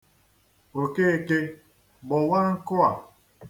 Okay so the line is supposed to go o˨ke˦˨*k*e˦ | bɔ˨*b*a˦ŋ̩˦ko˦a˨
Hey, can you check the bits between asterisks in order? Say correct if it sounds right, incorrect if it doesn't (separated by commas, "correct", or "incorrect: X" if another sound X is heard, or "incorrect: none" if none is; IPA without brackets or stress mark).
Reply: correct, incorrect: w